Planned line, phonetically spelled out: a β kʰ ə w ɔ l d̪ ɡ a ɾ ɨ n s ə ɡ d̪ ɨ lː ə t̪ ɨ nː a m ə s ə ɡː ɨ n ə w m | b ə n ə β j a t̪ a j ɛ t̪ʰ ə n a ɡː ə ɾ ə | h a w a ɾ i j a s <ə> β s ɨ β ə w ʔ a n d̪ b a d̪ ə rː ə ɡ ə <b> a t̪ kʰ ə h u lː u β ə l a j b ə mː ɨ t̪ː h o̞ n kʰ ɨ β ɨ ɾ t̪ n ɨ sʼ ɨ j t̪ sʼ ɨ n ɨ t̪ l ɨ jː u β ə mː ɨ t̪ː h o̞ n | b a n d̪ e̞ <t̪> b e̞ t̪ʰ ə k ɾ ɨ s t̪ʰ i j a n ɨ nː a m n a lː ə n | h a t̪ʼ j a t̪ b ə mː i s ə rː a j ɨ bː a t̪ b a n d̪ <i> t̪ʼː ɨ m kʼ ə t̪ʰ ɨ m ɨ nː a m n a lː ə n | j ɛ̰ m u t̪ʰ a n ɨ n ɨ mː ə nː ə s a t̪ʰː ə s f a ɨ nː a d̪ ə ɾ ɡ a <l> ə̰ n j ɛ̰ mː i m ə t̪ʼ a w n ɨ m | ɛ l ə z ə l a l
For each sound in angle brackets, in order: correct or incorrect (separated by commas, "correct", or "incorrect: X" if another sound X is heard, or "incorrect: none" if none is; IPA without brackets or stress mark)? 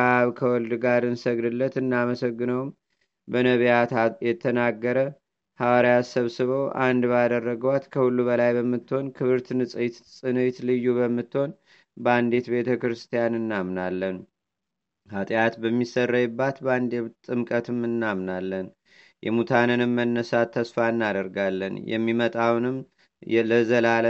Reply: correct, incorrect: w, correct, incorrect: e, incorrect: lː